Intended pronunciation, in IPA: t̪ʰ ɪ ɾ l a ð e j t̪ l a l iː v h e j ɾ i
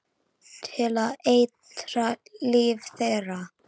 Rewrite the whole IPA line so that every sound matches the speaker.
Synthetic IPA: t̪ʰ ɪ l a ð e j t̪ ɾ a l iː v θ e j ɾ a